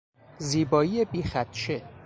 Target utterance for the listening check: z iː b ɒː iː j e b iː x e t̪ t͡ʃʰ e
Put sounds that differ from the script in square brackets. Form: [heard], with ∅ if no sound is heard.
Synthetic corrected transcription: z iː b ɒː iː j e b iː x [æ] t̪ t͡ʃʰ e